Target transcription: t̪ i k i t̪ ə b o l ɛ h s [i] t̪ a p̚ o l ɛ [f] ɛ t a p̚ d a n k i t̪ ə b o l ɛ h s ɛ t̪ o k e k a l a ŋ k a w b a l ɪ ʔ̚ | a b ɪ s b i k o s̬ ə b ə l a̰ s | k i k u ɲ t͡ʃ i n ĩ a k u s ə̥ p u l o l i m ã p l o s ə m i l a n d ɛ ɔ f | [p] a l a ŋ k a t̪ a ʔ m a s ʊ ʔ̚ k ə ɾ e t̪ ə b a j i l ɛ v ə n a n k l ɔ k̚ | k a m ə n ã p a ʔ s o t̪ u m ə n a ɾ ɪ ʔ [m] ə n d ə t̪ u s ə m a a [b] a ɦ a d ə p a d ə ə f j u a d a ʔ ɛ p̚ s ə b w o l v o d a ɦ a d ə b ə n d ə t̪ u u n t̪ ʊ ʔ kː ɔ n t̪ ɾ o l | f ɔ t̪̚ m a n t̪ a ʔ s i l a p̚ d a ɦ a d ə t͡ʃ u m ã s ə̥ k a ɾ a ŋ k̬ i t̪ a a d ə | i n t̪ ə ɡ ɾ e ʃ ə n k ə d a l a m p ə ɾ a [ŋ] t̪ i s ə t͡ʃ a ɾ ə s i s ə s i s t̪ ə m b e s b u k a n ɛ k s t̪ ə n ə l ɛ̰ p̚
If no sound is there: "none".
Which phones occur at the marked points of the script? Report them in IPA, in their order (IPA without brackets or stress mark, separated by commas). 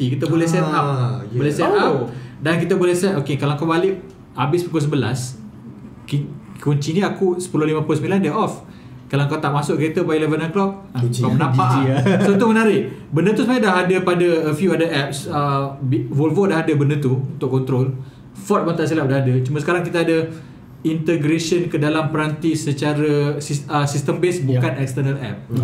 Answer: ɛ, s, k, b, d, n